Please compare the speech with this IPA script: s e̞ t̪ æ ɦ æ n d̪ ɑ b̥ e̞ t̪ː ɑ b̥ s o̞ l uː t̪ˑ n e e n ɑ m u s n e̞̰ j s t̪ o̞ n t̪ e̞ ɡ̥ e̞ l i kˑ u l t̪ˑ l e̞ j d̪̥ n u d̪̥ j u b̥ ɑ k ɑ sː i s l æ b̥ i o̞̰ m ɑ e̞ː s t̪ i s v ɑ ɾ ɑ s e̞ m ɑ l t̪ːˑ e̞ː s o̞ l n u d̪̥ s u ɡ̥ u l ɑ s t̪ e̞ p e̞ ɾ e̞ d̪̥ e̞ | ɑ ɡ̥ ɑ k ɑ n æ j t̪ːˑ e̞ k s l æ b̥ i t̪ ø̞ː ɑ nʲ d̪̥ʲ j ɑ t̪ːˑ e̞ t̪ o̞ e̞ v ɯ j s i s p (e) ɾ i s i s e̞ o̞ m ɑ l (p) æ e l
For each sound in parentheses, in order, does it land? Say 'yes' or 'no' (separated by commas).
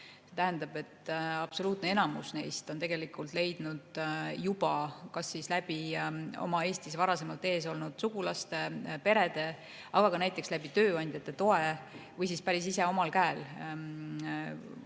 no, no